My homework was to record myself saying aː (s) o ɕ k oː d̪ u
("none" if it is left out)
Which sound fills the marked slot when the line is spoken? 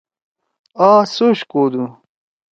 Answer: s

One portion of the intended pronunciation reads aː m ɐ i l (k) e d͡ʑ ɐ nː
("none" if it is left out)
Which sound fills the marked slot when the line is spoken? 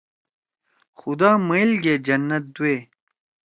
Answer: ɡ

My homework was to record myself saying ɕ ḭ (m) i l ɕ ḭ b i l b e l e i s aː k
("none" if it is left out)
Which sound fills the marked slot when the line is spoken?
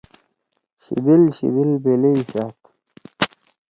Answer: b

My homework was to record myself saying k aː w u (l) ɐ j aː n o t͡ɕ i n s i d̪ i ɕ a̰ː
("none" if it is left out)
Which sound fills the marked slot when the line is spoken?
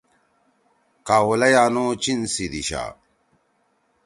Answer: l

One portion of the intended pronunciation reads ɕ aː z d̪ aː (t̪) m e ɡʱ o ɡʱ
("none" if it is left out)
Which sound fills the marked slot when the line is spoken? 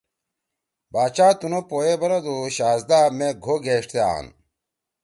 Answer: none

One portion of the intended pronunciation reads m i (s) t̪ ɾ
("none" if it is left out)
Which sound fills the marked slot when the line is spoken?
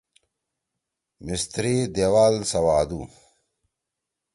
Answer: s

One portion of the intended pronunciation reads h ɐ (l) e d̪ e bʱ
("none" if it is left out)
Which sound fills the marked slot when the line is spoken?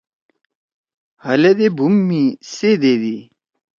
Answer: l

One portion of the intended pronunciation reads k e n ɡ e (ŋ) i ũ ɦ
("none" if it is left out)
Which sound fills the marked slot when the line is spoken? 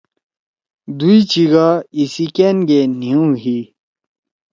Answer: n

